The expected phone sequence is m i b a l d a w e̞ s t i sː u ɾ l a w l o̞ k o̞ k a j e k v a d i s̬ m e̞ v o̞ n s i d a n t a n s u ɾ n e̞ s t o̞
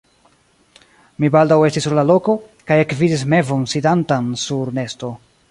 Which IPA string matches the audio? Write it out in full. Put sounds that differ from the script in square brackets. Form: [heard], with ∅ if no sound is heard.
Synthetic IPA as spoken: m i b a l d a w e̞ s t i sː u ɾ l a [∅] l o̞ k o̞ k a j e k v [i] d i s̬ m e̞ v o̞ n s i d a n t a n s u ɾ n e̞ s t o̞